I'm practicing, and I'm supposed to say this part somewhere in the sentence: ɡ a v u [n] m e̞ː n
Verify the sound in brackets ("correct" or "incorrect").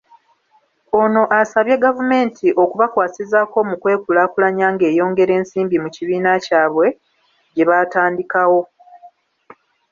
incorrect